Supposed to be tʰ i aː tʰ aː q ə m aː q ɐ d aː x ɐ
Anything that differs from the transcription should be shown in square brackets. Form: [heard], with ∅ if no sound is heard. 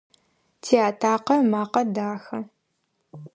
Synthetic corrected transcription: tʰ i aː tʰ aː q [ɐ] m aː q ɐ d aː x ɐ